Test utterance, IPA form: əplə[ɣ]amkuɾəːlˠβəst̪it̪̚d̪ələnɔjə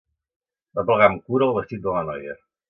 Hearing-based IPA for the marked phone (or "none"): ɣ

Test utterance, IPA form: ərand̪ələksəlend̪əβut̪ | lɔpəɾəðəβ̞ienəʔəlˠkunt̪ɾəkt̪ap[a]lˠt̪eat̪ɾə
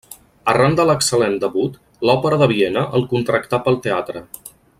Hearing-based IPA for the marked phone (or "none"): ə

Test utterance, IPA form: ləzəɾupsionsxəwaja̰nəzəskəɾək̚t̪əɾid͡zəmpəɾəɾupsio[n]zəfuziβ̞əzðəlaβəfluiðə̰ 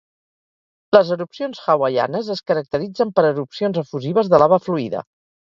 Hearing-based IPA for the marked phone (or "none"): n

